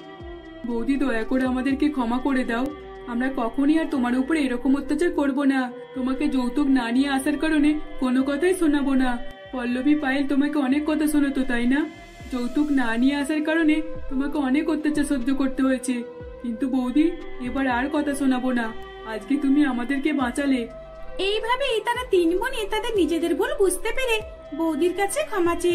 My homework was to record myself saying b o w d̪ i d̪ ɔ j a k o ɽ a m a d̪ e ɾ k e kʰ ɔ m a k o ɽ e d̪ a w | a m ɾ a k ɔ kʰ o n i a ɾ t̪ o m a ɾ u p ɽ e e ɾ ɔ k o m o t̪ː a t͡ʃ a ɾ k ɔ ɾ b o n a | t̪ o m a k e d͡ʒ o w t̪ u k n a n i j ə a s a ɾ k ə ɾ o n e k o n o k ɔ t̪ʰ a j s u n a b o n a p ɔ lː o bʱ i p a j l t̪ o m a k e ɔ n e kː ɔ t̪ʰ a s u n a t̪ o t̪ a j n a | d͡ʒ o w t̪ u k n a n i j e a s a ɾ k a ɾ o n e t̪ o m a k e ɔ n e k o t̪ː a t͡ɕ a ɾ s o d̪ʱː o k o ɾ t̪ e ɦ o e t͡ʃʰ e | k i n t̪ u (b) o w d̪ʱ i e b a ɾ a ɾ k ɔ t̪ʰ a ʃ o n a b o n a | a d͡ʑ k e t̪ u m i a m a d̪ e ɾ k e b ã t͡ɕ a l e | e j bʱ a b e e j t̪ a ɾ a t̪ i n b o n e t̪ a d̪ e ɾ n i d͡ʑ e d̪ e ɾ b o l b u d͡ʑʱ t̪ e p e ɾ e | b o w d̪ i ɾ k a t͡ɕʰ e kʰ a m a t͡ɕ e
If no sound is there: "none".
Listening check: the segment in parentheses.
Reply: b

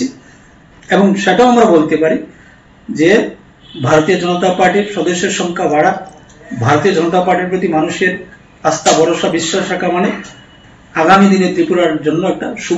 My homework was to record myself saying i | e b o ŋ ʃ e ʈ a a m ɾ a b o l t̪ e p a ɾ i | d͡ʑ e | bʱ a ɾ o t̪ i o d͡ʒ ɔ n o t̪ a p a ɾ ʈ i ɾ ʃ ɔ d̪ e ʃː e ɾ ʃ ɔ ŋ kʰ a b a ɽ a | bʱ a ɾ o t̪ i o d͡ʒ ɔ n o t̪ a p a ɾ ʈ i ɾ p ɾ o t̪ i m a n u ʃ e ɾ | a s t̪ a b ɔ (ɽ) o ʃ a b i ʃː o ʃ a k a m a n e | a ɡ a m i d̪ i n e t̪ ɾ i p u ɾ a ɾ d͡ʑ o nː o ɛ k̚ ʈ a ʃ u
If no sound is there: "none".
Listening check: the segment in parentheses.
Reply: ɾ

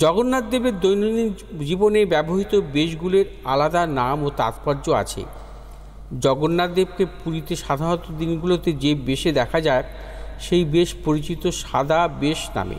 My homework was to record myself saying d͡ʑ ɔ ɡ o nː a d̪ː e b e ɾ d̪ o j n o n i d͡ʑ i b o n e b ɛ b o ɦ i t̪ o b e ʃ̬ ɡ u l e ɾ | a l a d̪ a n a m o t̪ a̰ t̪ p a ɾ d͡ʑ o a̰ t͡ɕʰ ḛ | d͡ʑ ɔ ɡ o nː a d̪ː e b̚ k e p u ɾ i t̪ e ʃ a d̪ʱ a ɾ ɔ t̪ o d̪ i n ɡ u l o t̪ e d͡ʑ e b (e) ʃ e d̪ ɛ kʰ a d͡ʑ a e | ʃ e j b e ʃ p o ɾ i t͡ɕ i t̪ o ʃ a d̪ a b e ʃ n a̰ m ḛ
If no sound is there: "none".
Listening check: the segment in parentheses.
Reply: e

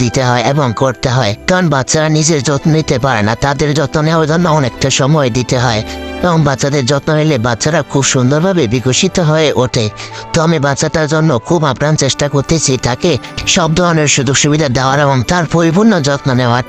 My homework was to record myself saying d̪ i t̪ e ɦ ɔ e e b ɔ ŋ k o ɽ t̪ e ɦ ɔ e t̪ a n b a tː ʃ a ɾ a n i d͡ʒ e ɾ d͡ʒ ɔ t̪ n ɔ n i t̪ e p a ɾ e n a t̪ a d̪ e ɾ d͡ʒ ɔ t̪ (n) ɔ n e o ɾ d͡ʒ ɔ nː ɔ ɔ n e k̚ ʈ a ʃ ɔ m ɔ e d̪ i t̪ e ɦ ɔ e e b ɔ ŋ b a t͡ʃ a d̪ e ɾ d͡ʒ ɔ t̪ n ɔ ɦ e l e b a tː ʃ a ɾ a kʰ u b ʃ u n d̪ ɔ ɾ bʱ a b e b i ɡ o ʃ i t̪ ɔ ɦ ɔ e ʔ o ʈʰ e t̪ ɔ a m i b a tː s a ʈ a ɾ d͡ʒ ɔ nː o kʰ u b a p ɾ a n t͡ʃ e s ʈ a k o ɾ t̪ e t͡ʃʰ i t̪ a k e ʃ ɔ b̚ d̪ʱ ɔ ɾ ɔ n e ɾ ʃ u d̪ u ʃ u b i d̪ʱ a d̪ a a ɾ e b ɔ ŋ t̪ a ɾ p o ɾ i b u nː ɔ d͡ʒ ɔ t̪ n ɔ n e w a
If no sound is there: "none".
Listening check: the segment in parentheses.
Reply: n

